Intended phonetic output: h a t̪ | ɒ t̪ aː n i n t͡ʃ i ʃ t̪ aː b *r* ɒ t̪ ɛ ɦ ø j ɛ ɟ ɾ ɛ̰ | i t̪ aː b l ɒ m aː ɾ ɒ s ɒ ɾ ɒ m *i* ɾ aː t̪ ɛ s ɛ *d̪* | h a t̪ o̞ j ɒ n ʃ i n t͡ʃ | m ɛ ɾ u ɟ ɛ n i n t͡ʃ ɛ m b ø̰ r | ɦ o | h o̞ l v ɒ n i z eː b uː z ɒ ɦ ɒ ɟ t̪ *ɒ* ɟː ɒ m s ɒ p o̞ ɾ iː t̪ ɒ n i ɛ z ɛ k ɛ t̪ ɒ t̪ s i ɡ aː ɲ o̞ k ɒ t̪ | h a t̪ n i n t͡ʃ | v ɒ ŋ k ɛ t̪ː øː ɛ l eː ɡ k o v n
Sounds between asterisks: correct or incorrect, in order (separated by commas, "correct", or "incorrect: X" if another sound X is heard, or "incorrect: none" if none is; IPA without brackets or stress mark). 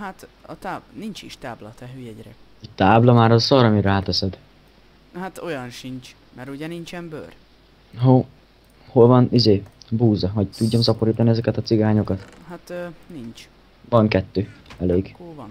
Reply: incorrect: l, correct, correct, incorrect: u